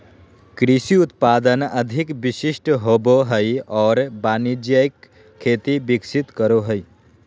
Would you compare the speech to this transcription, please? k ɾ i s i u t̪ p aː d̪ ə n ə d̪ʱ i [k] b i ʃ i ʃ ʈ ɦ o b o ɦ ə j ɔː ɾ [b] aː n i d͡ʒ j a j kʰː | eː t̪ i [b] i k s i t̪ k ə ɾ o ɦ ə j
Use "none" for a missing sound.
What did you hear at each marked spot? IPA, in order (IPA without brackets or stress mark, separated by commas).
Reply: k, b, b